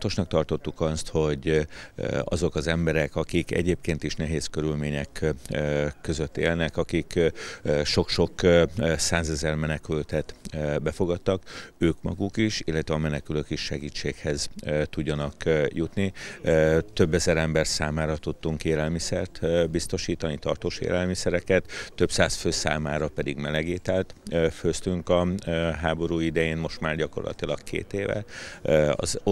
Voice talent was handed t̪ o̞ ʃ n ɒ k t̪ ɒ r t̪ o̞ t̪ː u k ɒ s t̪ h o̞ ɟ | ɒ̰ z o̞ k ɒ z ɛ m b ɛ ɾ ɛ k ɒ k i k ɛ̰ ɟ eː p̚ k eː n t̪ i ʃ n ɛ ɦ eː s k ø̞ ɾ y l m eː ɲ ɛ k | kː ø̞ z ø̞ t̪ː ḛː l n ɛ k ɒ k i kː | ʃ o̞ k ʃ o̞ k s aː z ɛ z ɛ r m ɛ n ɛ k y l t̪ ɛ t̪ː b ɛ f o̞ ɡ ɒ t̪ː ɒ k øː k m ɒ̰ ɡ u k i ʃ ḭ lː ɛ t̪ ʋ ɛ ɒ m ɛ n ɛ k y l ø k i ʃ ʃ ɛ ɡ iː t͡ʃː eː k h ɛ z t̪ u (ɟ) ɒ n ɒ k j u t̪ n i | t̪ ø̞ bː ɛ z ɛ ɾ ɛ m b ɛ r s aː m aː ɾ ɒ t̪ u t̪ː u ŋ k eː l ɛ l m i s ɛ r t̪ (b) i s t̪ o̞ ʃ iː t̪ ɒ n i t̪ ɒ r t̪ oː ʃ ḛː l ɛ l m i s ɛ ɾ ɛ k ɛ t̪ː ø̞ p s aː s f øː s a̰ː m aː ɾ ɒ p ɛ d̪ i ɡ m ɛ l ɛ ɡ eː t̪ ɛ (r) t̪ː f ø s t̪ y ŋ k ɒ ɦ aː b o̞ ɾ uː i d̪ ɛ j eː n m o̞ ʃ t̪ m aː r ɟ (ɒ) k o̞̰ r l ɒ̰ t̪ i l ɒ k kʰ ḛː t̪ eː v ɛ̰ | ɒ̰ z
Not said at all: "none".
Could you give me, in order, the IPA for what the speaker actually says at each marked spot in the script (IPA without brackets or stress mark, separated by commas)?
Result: ɟː, b, l, ɒ